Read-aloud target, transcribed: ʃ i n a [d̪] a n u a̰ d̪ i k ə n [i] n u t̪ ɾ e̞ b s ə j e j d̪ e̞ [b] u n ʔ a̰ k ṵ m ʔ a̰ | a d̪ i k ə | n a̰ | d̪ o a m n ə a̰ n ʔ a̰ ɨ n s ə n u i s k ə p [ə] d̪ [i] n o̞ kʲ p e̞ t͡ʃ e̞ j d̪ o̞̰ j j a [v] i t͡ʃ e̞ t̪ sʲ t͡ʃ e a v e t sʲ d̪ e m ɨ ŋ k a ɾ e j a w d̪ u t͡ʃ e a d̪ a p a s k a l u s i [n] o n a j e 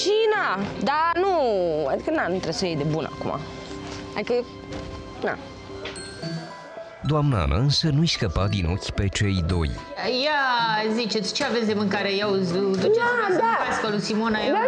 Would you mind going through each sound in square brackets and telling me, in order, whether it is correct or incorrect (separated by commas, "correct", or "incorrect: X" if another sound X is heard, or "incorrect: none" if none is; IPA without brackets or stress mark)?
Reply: correct, incorrect: a, correct, incorrect: a, correct, incorrect: z, incorrect: m